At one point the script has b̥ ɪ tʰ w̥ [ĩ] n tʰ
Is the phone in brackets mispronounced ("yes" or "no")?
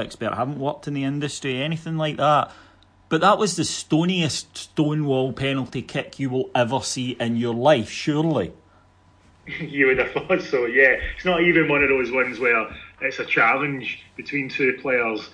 no